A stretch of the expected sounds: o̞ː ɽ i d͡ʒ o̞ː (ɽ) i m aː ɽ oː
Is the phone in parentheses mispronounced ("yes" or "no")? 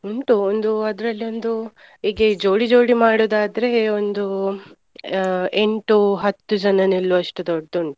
no